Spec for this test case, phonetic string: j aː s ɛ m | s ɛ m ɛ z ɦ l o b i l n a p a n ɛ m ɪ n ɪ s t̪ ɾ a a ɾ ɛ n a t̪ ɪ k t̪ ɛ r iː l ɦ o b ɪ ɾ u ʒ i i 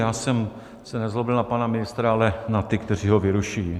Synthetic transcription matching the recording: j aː s ɛ m | s ɛ n ɛ z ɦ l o b ɪ l n a p a n a m ɪ n ɪ s t̪ ɾ a a l ɛ n a t̪ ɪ k t̪ ɛ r iː ɦ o v ɪ ɾ u ʃ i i